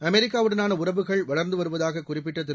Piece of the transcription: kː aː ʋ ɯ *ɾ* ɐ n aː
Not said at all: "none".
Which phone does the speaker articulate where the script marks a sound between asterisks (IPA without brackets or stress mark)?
ɽ